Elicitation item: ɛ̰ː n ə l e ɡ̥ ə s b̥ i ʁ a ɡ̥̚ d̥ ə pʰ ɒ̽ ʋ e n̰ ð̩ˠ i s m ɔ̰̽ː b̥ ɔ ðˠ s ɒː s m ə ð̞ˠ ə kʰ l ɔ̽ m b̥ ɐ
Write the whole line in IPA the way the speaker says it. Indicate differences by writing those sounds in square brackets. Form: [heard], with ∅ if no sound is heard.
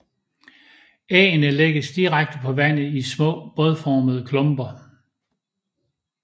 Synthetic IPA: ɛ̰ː n ə l e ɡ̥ ə s [d̥] i ʁ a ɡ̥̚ d̥ ə pʰ ɒ̽ ʋ [æ] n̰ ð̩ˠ i s m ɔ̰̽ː b̥ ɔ ðˠ [f] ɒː [∅] m ə ð̞ˠ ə kʰ l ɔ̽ m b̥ ɐ